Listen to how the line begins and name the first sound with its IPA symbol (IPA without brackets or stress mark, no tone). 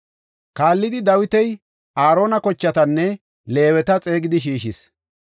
k